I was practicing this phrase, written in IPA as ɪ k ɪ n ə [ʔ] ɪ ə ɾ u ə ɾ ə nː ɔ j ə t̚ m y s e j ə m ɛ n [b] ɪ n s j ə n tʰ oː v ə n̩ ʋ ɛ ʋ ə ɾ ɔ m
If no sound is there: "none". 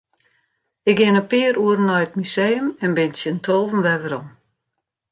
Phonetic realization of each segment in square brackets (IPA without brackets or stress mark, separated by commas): p, b